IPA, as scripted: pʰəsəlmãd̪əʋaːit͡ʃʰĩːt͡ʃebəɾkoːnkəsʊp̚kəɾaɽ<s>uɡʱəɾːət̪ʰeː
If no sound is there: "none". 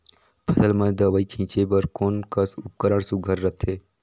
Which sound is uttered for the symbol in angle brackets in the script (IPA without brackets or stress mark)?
s